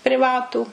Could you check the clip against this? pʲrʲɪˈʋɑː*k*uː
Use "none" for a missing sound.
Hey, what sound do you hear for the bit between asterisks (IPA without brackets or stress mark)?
t